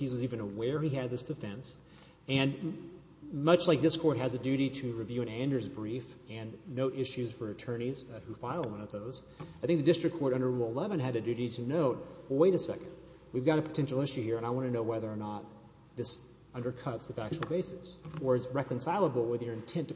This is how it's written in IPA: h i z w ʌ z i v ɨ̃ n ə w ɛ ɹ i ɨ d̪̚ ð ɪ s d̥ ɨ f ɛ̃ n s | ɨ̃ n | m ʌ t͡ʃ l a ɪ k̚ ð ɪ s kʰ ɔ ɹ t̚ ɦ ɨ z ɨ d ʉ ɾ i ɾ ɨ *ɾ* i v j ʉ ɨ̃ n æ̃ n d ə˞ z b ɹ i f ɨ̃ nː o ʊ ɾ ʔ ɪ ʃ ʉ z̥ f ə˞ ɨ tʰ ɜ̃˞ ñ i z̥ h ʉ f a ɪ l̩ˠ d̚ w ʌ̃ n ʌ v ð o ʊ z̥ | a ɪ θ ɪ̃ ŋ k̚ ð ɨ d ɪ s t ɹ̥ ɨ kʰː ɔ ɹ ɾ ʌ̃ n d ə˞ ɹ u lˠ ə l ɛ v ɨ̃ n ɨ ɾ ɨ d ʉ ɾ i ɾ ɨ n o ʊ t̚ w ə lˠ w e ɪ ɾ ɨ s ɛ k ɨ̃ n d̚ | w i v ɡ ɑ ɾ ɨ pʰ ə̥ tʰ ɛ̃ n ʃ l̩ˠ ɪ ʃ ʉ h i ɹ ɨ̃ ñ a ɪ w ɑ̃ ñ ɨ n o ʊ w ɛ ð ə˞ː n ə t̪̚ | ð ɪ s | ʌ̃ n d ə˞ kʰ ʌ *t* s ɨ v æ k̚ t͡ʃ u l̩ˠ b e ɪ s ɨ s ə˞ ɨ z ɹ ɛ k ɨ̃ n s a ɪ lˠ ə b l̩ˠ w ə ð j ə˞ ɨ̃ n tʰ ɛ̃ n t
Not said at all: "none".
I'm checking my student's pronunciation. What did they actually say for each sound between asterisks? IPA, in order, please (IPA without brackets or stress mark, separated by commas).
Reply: ɹ, t